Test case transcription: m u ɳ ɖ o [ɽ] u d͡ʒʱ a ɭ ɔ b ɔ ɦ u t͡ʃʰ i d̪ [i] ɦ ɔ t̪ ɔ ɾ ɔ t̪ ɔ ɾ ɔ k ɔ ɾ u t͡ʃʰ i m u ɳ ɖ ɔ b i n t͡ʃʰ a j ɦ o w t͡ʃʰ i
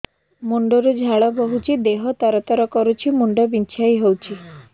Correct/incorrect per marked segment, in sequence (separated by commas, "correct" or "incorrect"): incorrect, incorrect